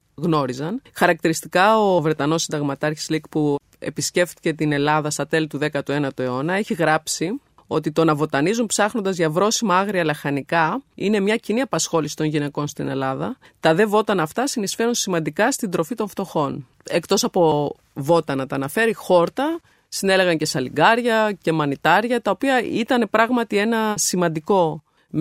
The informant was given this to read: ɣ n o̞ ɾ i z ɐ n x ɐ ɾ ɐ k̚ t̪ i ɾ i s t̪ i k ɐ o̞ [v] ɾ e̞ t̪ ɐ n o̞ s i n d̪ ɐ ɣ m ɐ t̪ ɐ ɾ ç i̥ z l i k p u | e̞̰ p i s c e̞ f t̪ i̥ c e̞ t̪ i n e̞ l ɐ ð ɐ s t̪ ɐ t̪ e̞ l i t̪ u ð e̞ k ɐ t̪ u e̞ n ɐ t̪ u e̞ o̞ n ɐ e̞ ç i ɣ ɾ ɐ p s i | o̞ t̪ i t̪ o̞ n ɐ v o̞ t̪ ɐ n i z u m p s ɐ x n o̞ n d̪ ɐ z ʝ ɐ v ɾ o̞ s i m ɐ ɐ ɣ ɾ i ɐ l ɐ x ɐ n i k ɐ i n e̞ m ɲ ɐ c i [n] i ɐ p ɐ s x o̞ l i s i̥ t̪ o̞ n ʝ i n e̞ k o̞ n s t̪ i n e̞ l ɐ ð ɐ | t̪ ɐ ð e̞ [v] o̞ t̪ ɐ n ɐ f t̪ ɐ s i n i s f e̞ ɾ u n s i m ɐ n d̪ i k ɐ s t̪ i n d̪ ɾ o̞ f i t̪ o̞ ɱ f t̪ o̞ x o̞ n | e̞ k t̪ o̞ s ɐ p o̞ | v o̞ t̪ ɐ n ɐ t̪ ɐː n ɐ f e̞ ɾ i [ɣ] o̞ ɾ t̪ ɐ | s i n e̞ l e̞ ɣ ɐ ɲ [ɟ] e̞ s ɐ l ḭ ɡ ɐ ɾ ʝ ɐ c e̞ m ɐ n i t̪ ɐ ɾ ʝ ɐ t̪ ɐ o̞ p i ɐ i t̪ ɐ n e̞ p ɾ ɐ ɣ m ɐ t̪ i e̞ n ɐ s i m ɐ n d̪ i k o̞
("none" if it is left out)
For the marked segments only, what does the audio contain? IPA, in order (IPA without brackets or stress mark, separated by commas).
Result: v, n, v, x, c